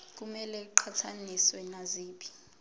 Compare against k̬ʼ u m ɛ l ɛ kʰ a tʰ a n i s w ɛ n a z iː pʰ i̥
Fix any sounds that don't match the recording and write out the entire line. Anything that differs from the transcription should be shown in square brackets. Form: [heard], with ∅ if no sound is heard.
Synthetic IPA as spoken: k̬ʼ u m ɛ l ɛ [ǃʰ] a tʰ a n i s w ɛ n a z iː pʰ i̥